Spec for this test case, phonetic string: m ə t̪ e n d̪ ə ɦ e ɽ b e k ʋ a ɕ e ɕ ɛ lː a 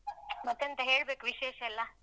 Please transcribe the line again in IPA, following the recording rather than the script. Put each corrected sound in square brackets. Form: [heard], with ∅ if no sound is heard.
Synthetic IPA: m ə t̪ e n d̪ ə ɦ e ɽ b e k ʋ [i] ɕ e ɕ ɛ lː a